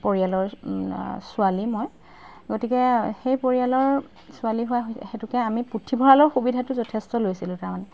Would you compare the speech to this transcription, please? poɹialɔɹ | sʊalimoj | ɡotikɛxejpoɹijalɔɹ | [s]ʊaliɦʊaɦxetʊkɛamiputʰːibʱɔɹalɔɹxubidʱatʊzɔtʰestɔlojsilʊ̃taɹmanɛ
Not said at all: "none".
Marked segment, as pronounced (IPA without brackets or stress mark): s